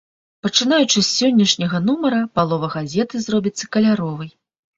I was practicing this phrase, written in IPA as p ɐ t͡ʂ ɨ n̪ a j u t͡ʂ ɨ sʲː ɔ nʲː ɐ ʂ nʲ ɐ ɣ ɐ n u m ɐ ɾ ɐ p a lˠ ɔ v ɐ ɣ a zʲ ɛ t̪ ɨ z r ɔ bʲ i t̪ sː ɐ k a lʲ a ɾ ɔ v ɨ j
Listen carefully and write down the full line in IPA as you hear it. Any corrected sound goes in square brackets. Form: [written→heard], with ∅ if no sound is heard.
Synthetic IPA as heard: p ɐ t͡ʂ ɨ n̪ a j u t͡ʂ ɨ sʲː ɔ nʲː ɐ ʂ nʲ ɐ ɣ ɐ n u m ɐ ɾ ɐ p a lˠ ɔ v ɐ ɣ a zʲ ɛ t̪ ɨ z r ɔ bʲ i t̪ sː ɐ k [a→ɐ] lʲ a ɾ ɔ v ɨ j